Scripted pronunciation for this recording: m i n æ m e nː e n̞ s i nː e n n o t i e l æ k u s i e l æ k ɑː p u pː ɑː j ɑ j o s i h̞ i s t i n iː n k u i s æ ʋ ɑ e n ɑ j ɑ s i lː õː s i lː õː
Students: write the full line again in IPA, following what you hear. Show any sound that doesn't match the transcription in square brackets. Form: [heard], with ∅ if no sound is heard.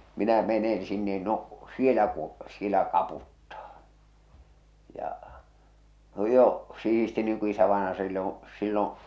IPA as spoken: m i n æ m e [n] e n̞ s i nː e n n o [s] i e l æ k u s i e l æ k [ɑ] p u [tː] ɑː j ɑ j o s i h̞ i s t i n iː [ŋ] k u i s æ ʋ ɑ e n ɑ j ɑ s i lː õː s i lː õː

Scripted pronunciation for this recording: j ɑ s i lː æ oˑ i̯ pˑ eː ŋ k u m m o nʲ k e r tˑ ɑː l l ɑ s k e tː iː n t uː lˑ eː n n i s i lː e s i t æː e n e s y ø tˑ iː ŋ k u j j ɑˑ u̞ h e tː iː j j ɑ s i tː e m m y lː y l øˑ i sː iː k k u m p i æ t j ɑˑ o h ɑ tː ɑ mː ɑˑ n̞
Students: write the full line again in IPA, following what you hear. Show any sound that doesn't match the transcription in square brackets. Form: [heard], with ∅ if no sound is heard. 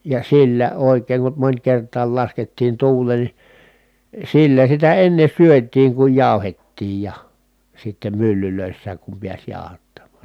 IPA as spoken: j ɑ s i lː æ oˑ i̯ [kˑ] eː ŋ k u m m o nʲ k e r tˑ ɑː l l ɑ s k e tː iː n t uː lˑ eː n n i s i lː [æ] s i t [æ] e [nː] e s y ø tˑ iː ŋ k u j j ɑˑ u̞ h e tː iː j j ɑ s i tː e m m y lː y l øˑ i sː [æː] k k u m p i æ [s] j ɑˑ o h ɑ tː ɑ mː ɑˑ n̞

